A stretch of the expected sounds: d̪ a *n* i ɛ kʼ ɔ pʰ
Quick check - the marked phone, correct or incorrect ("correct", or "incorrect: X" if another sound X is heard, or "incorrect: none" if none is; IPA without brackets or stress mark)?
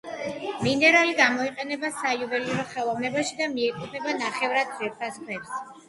incorrect: m